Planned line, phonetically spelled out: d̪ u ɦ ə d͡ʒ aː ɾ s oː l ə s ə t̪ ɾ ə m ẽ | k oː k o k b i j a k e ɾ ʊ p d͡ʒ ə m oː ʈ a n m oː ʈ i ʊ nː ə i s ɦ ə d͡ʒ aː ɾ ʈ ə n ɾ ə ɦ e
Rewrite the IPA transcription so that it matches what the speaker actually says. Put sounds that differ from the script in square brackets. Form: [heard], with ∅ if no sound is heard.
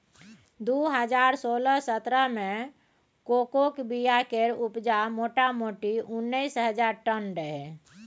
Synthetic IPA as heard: d̪ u ɦ ə d͡ʒ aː ɾ s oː l ə s ə t̪ ɾ ə m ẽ | k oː k o k b i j a k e ɾ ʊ p d͡ʒ [a] m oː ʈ a [∅] m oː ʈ i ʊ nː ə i s ɦ ə d͡ʒ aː ɾ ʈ ə n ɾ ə ɦ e

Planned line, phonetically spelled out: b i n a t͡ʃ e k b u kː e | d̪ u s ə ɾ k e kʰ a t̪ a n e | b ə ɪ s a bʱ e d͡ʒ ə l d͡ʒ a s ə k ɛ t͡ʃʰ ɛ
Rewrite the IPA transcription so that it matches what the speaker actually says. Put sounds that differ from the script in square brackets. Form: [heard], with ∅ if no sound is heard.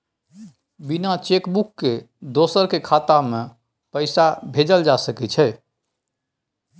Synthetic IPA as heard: b i n a t͡ʃ e k b u kː e | d̪ [o] s ə ɾ k e kʰ a t̪ a [m] e | [p] ə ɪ s a bʱ e d͡ʒ ə l d͡ʒ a s ə k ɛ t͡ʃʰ ɛ

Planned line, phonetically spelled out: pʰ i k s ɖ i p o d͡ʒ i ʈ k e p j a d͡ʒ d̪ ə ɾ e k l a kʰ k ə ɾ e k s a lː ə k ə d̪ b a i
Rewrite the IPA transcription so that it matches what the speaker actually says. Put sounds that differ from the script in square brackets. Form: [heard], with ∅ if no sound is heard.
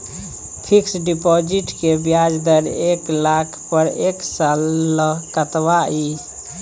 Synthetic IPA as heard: pʰ i k s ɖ i p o d͡ʒ i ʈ k e [b] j a d͡ʒ d̪ ə ɾ e k l a kʰ [p] ə ɾ e k s a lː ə k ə [t̪] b a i

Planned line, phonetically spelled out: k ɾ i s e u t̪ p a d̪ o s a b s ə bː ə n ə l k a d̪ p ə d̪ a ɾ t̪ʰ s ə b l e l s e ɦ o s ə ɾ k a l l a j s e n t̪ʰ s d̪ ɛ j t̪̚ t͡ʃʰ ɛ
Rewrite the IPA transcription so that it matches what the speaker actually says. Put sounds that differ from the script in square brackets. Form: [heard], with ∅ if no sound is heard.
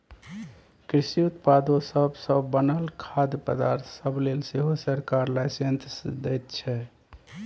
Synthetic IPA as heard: k ɾ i s [i] u t̪ p a d̪ o s [ə] b s ə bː ə n ə l [kʰ] a d̪ p ə d̪ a ɾ t̪ʰ s ə b l e l s e ɦ o s ə ɾ k a [ɾ] l a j s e n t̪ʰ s d̪ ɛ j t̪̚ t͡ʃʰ ɛ

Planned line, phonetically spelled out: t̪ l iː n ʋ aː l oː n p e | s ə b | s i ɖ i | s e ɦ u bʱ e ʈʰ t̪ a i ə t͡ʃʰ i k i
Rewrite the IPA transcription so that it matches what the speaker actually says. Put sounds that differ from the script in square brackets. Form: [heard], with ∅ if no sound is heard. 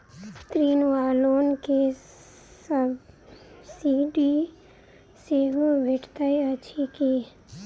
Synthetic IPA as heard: t̪ [ɾ] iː n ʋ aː l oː n [k] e | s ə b | s i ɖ i | s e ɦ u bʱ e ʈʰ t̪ a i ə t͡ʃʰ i k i

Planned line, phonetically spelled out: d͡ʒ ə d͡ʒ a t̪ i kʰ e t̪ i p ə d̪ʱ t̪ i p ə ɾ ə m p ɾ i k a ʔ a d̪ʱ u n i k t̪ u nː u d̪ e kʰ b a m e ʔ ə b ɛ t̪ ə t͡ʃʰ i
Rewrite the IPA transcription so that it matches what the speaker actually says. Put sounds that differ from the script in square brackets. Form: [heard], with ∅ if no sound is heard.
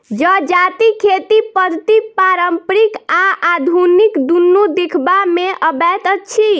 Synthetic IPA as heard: d͡ʒ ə d͡ʒ a t̪ i kʰ e t̪ i p ə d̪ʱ t̪ i p [a] ɾ ə m p ɾ i k a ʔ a d̪ʱ u n i k [d̪] u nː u d̪ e kʰ b a m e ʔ ə b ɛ t̪ ə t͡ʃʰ i

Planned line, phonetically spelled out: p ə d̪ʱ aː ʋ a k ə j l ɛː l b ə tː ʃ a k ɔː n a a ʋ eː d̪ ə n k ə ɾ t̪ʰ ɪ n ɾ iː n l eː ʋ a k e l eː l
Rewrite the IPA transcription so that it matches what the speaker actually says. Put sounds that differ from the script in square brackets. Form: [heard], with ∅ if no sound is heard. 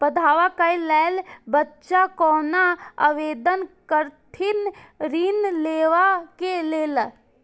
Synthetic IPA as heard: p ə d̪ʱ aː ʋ a k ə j l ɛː l b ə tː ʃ a k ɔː n a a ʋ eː d̪ ə n k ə ɾ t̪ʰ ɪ n ɾ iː n l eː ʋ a k e l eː l

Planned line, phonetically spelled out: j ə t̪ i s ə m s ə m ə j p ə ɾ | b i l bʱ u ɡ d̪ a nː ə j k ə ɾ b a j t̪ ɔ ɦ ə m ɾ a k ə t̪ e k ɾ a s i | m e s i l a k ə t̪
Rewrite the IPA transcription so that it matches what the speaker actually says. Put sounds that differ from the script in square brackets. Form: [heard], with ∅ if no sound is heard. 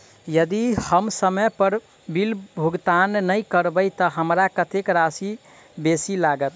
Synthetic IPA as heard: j ə [d̪] i [h] ə m s ə m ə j p ə ɾ | b i l bʱ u ɡ [t̪] a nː ə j k ə ɾ b [ə] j t̪ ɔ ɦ ə m ɾ a k ə t̪ e k ɾ a s i | [b] e s i l a [ɡ] ə t̪

